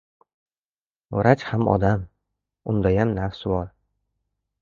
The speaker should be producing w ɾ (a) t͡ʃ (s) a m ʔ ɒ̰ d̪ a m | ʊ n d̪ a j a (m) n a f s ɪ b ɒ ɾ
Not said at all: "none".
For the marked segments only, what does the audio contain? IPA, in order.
a, h, m

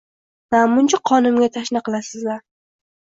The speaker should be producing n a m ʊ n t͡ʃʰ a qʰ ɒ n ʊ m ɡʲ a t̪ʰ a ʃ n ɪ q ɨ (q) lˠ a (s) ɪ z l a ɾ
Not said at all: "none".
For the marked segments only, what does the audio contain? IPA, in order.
none, s

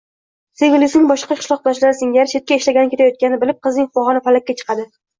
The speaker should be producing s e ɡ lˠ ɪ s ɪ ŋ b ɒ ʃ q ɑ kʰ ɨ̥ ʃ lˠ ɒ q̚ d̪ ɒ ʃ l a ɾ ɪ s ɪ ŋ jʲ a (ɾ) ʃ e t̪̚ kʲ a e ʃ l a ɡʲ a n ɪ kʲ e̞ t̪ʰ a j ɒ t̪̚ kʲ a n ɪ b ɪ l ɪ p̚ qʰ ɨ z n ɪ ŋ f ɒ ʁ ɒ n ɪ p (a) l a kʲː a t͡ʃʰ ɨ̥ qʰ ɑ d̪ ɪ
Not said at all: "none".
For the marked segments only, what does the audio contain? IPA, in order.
ɾ, a

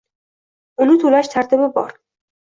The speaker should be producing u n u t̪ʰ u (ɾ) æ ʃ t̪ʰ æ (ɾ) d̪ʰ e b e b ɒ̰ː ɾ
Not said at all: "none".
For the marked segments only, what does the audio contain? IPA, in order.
l, ɾ

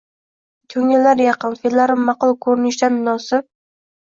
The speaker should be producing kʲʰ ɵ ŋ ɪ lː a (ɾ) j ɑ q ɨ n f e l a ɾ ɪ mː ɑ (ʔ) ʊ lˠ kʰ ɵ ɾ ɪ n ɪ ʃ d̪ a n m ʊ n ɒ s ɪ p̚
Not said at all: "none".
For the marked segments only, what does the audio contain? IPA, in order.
ɾ, q

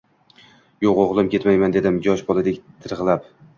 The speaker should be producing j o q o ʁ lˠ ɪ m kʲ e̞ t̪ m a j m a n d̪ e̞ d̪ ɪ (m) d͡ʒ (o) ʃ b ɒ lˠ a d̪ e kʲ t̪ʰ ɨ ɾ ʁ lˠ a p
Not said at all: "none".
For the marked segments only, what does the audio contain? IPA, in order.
m, ɒ

